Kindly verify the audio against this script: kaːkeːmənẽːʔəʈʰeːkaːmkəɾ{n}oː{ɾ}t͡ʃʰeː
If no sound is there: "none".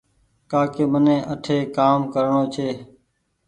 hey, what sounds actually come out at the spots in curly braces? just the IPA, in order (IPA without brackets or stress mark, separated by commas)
ɳ, none